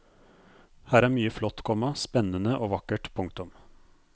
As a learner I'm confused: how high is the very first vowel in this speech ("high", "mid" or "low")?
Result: low